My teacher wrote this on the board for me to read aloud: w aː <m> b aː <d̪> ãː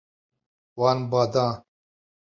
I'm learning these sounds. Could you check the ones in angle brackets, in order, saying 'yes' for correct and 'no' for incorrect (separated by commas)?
no, yes